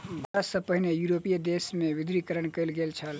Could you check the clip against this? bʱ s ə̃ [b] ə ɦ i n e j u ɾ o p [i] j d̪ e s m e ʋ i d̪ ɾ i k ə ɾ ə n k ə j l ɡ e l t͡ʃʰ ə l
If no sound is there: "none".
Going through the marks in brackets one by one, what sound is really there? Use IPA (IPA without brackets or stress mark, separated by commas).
p, i